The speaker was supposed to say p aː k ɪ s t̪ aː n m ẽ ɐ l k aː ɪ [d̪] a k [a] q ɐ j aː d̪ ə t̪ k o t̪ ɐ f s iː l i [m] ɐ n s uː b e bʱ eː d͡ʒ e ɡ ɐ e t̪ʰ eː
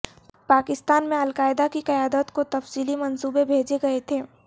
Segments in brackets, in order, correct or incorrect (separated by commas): correct, incorrect, correct